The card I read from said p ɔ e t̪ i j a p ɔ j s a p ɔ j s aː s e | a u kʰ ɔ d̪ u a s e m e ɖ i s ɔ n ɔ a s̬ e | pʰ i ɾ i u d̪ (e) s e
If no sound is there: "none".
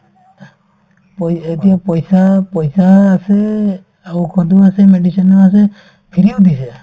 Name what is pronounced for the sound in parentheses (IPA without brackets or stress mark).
i